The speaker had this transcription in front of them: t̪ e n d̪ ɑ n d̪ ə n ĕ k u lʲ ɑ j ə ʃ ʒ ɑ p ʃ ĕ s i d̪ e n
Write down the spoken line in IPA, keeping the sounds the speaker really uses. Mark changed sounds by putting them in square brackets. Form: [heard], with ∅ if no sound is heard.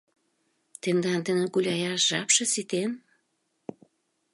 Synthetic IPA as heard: t̪ e n d̪ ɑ n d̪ ə n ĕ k u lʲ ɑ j [ɑ] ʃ ʒ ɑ p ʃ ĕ s i [t̪] e n